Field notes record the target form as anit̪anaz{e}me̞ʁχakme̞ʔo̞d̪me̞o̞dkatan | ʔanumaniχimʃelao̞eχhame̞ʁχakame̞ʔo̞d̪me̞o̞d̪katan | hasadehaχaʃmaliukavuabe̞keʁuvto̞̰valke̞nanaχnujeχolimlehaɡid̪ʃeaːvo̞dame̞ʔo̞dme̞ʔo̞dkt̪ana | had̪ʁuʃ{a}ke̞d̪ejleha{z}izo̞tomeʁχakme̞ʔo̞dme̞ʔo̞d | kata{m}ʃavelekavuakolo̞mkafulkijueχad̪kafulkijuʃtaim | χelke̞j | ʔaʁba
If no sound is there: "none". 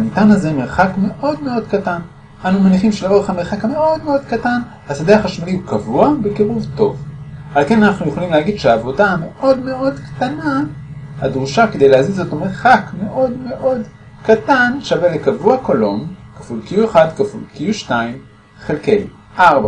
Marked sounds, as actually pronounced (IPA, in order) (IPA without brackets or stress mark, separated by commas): e, a, z, n